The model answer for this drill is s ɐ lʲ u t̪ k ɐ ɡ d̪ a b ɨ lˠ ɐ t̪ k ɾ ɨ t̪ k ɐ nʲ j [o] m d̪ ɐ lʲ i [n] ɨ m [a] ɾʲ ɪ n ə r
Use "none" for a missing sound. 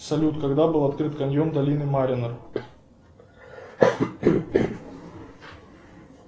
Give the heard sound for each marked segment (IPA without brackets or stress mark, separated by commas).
o, n, a